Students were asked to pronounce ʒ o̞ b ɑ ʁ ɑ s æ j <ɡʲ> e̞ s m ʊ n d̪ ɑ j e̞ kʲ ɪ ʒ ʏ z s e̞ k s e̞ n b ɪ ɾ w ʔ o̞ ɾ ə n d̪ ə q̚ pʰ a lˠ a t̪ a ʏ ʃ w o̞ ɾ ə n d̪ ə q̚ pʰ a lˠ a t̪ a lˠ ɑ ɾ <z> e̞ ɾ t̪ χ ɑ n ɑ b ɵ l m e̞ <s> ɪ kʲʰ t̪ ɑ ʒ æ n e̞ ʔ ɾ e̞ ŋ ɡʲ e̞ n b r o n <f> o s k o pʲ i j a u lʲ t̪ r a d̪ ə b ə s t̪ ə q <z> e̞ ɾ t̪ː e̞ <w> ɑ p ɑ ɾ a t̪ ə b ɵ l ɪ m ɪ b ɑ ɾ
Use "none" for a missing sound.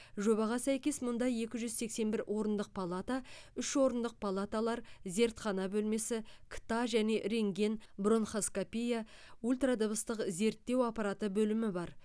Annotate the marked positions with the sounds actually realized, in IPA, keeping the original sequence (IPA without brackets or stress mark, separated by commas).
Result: kʲ, z, s, χ, z, w